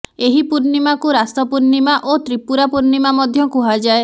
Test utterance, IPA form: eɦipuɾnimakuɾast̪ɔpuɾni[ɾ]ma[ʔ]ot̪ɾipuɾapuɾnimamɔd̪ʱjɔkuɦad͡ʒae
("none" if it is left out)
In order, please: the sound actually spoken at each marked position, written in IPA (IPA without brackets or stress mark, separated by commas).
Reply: none, ʔ